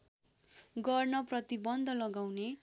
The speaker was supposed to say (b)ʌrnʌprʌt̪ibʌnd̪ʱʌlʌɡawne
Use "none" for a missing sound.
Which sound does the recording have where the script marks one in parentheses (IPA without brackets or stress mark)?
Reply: ɡ